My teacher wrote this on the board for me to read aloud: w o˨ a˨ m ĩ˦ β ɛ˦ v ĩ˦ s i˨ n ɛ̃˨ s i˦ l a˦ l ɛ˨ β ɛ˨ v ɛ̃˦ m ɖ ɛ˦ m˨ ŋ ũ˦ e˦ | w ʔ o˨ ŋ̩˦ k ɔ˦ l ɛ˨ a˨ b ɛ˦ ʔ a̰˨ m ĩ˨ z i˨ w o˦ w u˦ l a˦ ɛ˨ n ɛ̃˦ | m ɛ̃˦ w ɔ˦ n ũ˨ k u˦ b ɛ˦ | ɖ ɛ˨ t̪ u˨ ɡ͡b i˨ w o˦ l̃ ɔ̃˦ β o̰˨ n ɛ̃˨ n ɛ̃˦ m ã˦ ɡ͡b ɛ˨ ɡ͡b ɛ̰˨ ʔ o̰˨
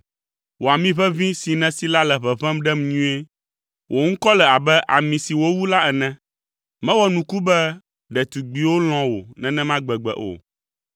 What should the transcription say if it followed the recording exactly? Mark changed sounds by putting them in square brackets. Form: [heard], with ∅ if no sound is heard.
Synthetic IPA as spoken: w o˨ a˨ m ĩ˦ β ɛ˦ v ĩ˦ s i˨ n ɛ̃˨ s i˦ l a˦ l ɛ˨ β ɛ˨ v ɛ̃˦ m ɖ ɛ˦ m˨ [ɲ] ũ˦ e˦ | w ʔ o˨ ŋ̩˦ k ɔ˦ l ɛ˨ a˨ b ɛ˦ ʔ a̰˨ m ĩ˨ [s] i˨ w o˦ w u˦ l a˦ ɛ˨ n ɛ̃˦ | m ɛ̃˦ w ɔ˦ n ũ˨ k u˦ b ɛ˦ | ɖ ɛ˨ t̪ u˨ ɡ͡b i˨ w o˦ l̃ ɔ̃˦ [w] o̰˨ n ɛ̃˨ n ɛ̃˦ m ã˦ ɡ͡b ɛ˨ ɡ͡b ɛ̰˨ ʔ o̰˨